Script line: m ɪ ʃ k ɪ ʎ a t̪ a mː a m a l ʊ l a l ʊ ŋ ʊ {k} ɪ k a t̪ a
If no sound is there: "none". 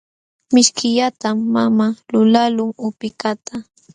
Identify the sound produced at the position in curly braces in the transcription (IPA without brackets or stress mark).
p